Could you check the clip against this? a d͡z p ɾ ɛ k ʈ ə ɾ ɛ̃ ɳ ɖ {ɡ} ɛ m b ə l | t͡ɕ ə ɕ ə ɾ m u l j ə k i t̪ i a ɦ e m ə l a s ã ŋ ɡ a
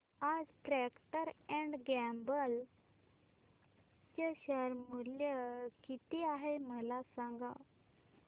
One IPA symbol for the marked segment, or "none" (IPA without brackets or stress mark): ɡ